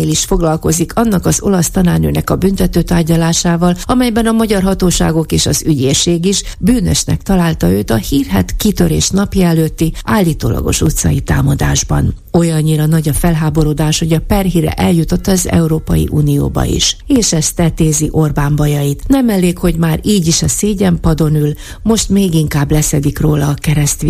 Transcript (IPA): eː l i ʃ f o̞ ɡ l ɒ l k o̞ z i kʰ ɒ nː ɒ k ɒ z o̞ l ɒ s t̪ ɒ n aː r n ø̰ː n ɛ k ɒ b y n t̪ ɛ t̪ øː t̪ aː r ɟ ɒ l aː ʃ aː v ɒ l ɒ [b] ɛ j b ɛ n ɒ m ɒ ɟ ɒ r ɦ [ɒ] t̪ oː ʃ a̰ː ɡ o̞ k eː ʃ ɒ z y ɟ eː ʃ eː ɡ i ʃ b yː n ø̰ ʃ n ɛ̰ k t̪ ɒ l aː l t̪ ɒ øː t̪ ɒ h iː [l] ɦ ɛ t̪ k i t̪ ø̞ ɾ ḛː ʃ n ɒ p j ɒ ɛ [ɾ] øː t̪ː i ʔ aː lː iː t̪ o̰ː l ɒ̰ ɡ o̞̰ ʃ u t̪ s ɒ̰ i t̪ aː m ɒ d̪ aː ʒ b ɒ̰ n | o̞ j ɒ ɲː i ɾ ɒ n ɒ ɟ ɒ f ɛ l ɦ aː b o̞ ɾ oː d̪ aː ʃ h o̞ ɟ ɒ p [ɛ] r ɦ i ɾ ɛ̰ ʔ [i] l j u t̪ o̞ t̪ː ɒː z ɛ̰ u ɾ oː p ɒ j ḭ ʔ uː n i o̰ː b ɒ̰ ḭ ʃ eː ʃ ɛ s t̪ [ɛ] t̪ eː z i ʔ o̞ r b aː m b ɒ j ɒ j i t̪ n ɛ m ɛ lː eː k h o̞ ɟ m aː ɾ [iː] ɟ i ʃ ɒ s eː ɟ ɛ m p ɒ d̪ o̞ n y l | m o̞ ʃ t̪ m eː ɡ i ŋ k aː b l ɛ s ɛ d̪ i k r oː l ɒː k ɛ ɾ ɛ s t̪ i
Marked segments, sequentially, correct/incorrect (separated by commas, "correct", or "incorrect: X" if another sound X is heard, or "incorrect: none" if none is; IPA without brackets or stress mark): incorrect: m, correct, incorrect: r, incorrect: l, correct, incorrect: ɛ, correct, correct